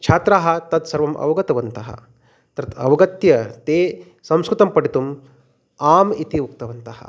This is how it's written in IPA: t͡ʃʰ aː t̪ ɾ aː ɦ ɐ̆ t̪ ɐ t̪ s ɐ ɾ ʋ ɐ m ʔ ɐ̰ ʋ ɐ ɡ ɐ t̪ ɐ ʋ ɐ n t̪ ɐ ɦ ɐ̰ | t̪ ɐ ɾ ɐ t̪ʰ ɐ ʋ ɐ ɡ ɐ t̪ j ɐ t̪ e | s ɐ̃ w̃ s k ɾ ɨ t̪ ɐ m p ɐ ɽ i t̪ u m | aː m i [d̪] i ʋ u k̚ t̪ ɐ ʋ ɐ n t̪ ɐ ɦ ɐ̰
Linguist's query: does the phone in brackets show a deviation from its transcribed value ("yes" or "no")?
yes